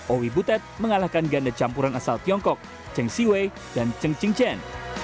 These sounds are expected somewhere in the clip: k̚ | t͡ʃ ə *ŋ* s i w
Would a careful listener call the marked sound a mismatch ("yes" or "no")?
no